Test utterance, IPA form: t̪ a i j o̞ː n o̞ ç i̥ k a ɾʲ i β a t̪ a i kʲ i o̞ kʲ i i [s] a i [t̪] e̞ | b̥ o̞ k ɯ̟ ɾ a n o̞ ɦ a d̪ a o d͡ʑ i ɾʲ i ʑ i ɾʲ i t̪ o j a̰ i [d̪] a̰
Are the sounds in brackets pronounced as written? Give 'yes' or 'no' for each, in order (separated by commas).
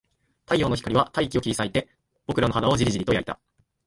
yes, yes, no